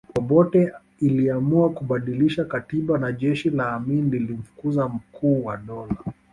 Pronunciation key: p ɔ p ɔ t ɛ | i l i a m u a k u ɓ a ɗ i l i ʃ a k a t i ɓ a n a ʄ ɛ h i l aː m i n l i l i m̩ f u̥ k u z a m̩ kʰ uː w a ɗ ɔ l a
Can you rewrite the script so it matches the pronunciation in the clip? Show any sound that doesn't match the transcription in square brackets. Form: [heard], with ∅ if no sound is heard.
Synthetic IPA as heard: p ɔ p ɔ t ɛ | i l i a m u a k u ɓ a ɗ i l i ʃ a k a t i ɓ a n a ʄ ɛ [ʃ] i l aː m i n l i l i m̩ f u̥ k u z a m̩ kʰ uː w a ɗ ɔ l a